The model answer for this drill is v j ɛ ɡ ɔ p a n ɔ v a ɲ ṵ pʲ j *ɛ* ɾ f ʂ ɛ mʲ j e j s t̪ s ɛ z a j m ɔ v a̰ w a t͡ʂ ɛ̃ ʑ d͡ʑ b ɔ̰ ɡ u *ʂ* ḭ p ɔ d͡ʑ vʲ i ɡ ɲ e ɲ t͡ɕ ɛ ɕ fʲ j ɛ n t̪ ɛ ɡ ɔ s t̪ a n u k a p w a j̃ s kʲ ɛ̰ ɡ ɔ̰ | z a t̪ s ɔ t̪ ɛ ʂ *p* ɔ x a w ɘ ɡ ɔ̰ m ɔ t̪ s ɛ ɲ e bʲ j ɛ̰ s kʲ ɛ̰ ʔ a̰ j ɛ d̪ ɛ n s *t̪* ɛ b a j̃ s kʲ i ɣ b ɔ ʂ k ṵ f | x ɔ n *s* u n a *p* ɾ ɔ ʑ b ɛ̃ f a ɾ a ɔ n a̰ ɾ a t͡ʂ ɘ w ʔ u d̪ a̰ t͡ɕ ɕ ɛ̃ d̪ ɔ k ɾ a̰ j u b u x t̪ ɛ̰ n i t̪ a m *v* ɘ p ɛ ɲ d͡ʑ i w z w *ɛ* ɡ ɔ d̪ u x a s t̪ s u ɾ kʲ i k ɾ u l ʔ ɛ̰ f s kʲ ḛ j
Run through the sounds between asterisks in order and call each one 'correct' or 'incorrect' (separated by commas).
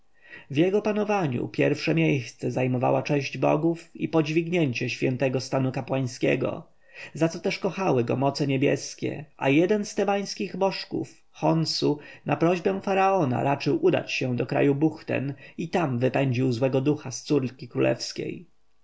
correct, incorrect, incorrect, correct, correct, correct, correct, correct